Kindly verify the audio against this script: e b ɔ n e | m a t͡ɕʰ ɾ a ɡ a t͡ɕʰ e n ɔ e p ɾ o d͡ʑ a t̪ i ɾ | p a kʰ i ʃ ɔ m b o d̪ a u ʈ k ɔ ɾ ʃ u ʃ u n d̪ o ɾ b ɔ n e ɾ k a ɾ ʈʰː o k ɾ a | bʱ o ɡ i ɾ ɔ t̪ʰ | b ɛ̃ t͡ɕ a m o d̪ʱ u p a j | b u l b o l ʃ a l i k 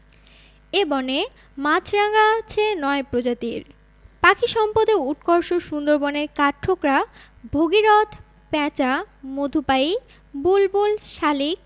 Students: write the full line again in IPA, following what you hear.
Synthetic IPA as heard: e b ɔ n e | m a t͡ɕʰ ɾ a ɡ a t͡ɕʰ e n ɔ e p ɾ o d͡ʑ a t̪ i ɾ | p a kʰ i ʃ ɔ m p o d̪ e u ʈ k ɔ ɾ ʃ o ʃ u n d̪ o ɾ b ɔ n e ɾ k a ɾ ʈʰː o k ɾ a | bʱ o ɡ i ɾ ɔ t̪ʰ | p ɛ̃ t͡ɕ a m o d̪ʱ u p a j | b u l b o l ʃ a l i k

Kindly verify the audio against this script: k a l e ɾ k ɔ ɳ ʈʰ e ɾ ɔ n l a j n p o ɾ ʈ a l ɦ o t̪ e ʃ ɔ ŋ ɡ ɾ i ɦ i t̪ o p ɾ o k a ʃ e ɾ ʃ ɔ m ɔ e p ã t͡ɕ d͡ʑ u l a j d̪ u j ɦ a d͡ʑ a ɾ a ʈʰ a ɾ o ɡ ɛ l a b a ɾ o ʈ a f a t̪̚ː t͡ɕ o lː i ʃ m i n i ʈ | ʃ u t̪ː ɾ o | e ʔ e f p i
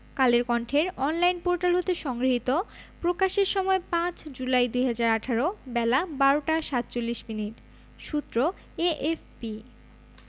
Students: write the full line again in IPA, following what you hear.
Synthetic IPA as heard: k a l e ɾ k ɔ ɳ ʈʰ e ɾ ɔ n l a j n p o ɾ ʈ a l ɦ o t̪ e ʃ ɔ ŋ ɡ ɾ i ɦ i t̪ o p ɾ o k a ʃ e ɾ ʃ ɔ m ɔ e p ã t͡ɕ d͡ʑ u l a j d̪ u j ɦ a d͡ʑ a ɾ a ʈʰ a ɾ o b ɛ l a b a ɾ o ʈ a ʃ a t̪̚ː t͡ɕ o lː i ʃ m i n i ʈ | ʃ u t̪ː ɾ o | e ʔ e f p i

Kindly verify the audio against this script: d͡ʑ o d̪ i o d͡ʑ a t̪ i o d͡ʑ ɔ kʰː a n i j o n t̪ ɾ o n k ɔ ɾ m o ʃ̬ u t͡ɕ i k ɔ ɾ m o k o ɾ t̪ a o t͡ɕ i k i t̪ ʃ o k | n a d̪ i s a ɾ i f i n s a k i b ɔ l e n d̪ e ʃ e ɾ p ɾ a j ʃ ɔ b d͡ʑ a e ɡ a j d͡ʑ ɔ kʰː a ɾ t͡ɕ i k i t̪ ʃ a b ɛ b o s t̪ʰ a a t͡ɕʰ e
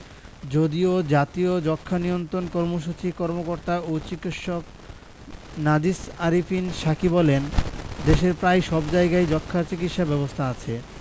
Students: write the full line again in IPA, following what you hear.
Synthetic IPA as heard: d͡ʑ o d̪ i o d͡ʑ a t̪ i o d͡ʑ ɔ kʰː a n i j o n t̪ ɾ o n k ɔ ɾ m o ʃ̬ u t͡ɕ i k ɔ ɾ m o k o ɾ t̪ a o t͡ɕ i k i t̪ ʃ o k | n a d̪ i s a ɾ i f i n ʃ a k i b ɔ l e n d̪ e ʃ e ɾ p ɾ a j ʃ ɔ b d͡ʑ a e ɡ a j d͡ʑ ɔ kʰː a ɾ t͡ɕ i k i t̪ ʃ a b ɛ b o s t̪ʰ a a t͡ɕʰ e

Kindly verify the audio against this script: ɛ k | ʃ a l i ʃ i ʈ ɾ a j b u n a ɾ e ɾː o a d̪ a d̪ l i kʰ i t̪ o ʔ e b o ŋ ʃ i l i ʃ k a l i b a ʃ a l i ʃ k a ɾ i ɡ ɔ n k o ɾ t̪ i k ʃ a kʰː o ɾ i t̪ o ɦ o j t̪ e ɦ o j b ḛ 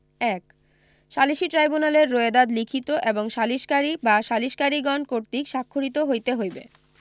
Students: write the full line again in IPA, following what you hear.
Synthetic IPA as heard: ɛ k | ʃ a l i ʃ i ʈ ɾ a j b u n a l e ɾː o e d̪ a d̪ l i kʰ i t̪ o ʔ e b o ŋ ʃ a l i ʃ k a ɾ i b a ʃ a l i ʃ k a ɾ i ɡ ɔ n k o ɾ t̪ i k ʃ a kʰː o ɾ i t̪ o ɦ o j t̪ e ɦ o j b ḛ

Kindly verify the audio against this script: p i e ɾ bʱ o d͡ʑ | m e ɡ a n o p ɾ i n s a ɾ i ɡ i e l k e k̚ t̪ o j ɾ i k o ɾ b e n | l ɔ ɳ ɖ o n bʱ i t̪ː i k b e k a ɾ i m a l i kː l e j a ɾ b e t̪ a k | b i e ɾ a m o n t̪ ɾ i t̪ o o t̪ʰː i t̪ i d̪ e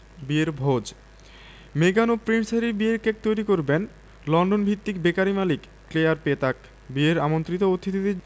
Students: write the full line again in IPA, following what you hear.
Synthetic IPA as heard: b i e ɾ bʱ o d͡ʑ | m e ɡ a n o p ɾ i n s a ɾ i b i e ɾ k e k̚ t̪ o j ɾ i k o ɾ b e n | l ɔ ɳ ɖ o n bʱ i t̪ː i k b e k a ɾ i m a l i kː l e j a ɾ p e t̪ a k | b i e ɾ a m o n t̪ ɾ i t̪ o o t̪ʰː i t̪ i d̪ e

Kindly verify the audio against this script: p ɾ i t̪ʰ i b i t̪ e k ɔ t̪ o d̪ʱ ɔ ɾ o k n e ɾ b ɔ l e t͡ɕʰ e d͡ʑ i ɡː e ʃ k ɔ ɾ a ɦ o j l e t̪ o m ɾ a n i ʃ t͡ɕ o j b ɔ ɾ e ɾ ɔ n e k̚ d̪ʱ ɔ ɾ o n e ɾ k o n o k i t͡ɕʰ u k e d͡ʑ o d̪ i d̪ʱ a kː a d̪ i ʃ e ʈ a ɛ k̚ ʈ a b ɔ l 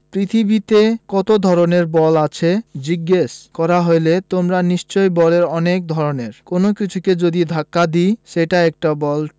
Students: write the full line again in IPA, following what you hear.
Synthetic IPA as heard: p ɾ i t̪ʰ i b i t̪ e k ɔ t̪ o d̪ʱ ɔ ɾ o n e ɾ b ɔ l a t͡ɕʰ e d͡ʑ i ɡː e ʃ k ɔ ɾ a ɦ o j l e t̪ o m ɾ a n i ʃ t͡ɕ o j b ɔ l e ɾ ɔ n e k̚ d̪ʱ ɔ ɾ o n e ɾ k o n o k i t͡ɕʰ u k e d͡ʑ o d̪ i d̪ʱ a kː a d̪ i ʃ e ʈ a ɛ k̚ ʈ a b ɔ l

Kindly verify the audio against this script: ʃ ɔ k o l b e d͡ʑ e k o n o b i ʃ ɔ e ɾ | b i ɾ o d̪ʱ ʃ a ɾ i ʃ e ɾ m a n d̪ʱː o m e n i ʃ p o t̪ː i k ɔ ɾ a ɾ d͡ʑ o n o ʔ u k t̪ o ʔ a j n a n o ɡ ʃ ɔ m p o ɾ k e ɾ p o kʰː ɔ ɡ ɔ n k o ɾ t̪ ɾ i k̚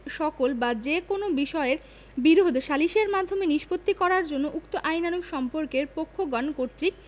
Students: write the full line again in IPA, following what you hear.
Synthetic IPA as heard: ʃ ɔ k o l b a d͡ʑ e k o n o b i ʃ ɔ e ɾ | b i ɾ o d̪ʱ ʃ a l i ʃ e ɾ m a d̪ʱː o m e n i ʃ p o t̪ː i k ɔ ɾ a ɾ d͡ʑ o nː o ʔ u k t̪ o ʔ a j n a n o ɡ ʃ ɔ m p o ɾ k e ɾ p o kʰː o ɡ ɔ n k o ɾ t̪ ɾ i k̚

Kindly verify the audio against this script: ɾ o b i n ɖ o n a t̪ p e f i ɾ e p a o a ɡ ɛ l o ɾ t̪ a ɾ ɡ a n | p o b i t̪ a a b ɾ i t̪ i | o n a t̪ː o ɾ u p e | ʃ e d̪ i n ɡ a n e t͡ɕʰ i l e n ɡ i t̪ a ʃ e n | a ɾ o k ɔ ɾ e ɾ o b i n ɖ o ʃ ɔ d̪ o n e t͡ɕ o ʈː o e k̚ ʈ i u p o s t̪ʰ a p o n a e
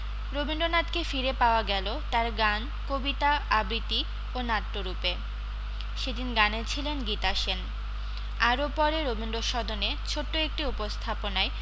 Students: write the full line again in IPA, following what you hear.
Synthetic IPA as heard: ɾ o b i n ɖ o n a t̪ k e f i ɾ e p a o a ɡ ɛ l o t̪ a ɾ ɡ a n | k o b i t̪ a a b ɾ i t̪ i | o n a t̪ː o ɾ u p e | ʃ e d̪ i n ɡ a n e t͡ɕʰ i l e n ɡ i t̪ a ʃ e n | a ɾ o p ɔ ɾ e ɾ o b i n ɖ o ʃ ɔ d̪ o n e t͡ɕʰ o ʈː o e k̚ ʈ i u p o s t̪ʰ a p o n a e

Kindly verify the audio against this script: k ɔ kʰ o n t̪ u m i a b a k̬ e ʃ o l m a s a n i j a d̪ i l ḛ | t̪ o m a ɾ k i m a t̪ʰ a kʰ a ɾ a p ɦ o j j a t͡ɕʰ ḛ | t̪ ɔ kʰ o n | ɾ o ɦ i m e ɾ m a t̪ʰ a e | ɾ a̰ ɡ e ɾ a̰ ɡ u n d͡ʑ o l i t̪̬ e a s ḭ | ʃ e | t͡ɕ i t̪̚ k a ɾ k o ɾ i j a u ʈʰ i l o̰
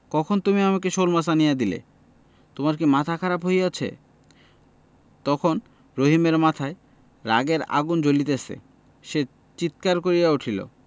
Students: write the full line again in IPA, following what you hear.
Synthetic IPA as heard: k ɔ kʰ o n t̪ u m i a m a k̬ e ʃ o l m a s a n i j a d̪ i l ḛ | t̪ o m a ɾ k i m a t̪ʰ a kʰ a ɾ a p ɦ o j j a t͡ɕʰ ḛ | t̪ ɔ kʰ o n | ɾ o ɦ i m e ɾ m a t̪ʰ a e | ɾ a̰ ɡ e ɾ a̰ ɡ u n d͡ʑ o l i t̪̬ e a s ḛ | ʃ e | t͡ɕ i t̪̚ k a ɾ k o ɾ i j a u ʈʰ i l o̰

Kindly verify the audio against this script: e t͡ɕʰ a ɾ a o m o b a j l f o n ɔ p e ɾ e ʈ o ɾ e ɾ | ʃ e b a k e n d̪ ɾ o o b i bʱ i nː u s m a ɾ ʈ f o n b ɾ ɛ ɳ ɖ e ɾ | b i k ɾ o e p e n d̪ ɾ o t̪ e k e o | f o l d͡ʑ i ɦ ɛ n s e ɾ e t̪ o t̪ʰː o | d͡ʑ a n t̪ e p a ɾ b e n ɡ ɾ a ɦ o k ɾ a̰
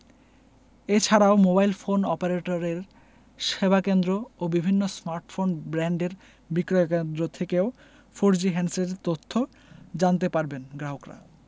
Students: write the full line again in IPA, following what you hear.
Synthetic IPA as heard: e t͡ɕʰ a ɾ a o m o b a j l f o n ɔ p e ɾ e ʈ o ɾ e ɾ | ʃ e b a k e n d̪ ɾ o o b i bʱ i nː o s m a ɾ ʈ f o n b ɾ ɛ ɳ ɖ e ɾ | b i k ɾ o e k e n d̪ ɾ o t̪ʰ e k e o | f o ɾ d͡ʑ i ɦ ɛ n s e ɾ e t̪ o t̪ʰː o | d͡ʑ a n t̪ e p a ɾ b e n ɡ ɾ a ɦ o k ɾ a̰

